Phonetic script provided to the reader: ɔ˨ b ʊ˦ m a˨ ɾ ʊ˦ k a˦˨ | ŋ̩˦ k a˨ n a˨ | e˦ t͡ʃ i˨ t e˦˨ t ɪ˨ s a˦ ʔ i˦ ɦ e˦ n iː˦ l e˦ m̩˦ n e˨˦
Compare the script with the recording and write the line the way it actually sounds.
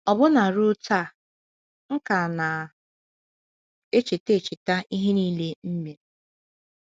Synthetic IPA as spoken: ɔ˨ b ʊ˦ n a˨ ɾ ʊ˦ t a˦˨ | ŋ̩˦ k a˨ n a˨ | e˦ t͡ʃ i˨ t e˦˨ t͡ʃ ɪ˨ t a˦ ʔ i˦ ɦ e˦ n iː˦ l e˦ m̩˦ m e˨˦